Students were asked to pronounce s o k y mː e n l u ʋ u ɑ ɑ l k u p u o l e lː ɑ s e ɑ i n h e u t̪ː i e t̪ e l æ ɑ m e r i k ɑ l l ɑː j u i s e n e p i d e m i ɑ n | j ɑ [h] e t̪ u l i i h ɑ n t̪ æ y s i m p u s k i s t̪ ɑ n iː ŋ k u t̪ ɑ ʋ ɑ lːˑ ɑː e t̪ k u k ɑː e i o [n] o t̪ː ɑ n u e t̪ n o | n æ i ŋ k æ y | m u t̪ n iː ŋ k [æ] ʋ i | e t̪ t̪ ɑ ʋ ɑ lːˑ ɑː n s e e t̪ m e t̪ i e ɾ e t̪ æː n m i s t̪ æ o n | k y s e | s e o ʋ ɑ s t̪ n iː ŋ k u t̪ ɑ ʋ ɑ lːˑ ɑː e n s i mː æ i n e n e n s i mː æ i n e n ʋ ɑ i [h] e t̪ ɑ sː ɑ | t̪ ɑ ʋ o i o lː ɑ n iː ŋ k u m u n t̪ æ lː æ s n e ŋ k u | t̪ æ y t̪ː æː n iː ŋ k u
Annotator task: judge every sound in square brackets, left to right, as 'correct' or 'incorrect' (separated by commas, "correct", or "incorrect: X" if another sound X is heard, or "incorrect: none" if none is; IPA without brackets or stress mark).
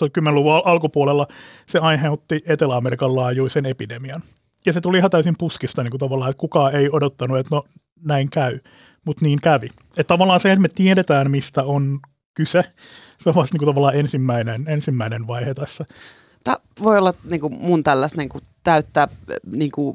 incorrect: s, incorrect: d, correct, correct